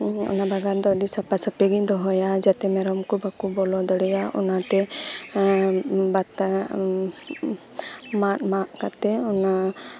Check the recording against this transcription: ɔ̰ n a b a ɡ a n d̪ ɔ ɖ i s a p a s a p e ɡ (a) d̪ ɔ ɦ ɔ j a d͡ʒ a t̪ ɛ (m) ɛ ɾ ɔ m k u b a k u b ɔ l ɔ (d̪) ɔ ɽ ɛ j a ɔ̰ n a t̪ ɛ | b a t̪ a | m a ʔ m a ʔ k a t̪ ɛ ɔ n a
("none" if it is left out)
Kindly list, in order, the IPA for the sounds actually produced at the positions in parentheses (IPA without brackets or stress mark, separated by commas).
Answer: i, m, d̪